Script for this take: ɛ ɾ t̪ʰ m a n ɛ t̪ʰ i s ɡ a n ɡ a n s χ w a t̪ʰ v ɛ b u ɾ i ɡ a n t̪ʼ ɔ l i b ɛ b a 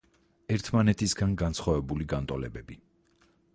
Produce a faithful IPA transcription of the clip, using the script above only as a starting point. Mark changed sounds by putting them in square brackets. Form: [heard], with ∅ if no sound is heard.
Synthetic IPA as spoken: ɛ ɾ t̪ʰ m a n ɛ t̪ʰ i s ɡ a n ɡ a n s χ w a [∅] v ɛ b u [l] i ɡ a n t̪ʼ ɔ l [ɛ] b ɛ b [i]